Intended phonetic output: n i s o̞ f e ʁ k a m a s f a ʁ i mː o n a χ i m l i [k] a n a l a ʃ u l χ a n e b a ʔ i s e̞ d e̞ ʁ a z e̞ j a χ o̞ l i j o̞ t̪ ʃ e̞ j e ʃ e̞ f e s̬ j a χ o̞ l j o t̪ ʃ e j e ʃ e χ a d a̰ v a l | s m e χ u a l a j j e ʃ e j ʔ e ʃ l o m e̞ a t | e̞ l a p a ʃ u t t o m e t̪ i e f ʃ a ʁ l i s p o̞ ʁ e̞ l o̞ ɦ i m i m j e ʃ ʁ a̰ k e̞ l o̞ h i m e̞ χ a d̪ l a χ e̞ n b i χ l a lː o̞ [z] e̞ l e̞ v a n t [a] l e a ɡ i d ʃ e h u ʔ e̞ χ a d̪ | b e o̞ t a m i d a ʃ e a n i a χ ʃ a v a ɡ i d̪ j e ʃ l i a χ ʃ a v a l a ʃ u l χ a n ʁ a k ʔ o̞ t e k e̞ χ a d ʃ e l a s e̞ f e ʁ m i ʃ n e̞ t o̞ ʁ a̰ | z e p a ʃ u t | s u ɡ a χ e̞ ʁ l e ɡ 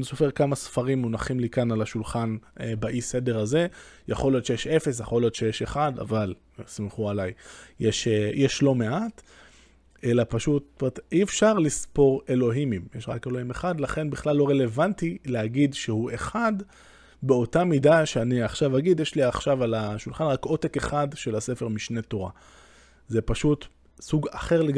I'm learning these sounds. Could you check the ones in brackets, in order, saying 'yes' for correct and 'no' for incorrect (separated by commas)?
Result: yes, no, no